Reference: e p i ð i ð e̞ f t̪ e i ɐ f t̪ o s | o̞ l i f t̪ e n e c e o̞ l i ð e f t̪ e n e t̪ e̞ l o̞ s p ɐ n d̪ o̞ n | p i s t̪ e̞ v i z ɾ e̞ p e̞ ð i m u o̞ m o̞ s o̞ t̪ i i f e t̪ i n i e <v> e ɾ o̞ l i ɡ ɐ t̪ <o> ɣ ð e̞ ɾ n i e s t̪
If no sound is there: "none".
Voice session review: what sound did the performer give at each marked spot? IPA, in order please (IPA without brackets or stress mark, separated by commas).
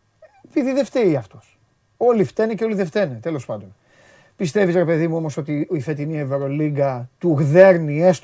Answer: v, u